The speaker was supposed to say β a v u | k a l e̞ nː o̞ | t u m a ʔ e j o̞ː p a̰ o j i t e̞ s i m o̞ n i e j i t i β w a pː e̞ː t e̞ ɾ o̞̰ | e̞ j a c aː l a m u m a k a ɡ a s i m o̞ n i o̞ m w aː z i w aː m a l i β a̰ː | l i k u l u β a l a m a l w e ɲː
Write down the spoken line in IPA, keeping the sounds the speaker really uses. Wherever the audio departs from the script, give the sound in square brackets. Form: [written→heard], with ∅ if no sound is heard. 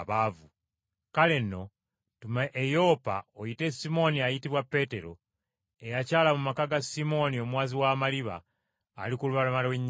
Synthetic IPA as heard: β a v u | k a l e̞ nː o̞ | t u m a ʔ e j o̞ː p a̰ o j i t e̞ s i m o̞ n i [e→a] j i t i β w a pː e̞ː t e̞ ɾ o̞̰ | e̞ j a c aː l a m u m a k a ɡ a s i m o̞ n i o̞ m w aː z i w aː m a l i β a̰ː | l i k u l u β a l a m a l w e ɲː

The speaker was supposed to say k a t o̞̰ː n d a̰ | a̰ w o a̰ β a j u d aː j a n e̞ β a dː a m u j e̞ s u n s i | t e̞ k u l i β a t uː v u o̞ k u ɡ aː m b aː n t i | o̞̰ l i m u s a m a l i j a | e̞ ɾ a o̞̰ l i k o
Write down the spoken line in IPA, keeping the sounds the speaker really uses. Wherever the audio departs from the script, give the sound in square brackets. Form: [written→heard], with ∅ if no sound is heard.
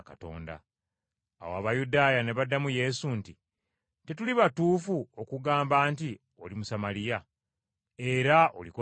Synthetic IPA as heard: k a t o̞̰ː n d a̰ | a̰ w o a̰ β a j u d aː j a n e̞ β a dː a m u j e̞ s u n [s→t] i | t e̞ [k→t] u l i β a t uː [v→f] u o̞ k u ɡ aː m b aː n t i | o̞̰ l i m u s a m a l i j a | e̞ ɾ a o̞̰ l i k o

